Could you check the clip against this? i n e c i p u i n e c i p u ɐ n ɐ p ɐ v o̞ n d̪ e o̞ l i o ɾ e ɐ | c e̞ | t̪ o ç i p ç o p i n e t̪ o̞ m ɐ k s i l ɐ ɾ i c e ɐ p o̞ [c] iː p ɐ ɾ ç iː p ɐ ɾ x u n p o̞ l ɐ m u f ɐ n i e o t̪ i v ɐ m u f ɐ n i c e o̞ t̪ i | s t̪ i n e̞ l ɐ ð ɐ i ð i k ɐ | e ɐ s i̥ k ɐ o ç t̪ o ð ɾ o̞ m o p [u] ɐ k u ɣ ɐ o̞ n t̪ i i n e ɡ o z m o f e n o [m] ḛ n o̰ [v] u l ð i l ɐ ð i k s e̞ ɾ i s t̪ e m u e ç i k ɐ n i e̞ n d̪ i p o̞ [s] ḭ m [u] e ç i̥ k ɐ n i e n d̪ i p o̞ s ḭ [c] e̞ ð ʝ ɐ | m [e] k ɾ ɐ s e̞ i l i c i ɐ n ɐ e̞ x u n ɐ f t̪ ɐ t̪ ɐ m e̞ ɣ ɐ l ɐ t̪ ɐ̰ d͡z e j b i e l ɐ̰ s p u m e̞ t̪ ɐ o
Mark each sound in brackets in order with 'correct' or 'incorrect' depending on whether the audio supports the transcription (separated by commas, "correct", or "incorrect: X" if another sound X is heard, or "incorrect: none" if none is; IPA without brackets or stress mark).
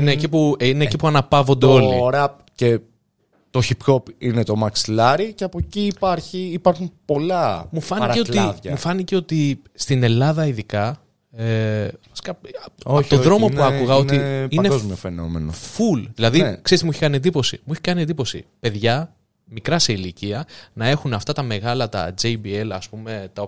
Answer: correct, correct, correct, incorrect: f, correct, correct, incorrect: p, incorrect: i